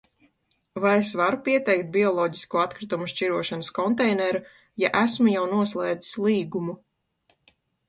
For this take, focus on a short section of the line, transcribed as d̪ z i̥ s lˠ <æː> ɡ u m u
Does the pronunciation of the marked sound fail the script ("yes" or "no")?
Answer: yes